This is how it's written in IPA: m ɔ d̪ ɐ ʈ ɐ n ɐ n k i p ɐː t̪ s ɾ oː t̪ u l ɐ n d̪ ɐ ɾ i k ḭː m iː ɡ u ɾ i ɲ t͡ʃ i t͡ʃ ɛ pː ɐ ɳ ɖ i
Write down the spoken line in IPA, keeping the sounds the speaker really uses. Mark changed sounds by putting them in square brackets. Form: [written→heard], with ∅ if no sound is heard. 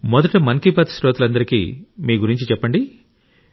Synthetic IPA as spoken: m ɔ d̪ ɐ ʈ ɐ [n→m] ɐ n k i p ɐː t̪ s ɾ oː t̪ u l ɐ n d̪ ɐ ɾ i k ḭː m iː ɡ u ɾ i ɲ t͡ʃ i t͡ʃ ɛ pː ɐ ɳ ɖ i